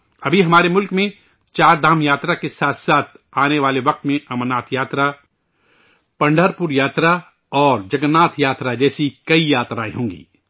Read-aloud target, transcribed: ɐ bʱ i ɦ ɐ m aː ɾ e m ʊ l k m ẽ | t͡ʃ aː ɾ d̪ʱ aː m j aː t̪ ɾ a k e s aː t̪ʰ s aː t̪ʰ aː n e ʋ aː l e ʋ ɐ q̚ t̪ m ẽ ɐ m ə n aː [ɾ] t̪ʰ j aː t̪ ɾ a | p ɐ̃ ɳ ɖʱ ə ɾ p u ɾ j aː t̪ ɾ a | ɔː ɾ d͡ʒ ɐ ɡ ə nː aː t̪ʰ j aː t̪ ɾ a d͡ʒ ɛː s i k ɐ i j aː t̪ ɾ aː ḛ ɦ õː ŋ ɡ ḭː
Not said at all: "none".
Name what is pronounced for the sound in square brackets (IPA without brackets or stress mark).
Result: none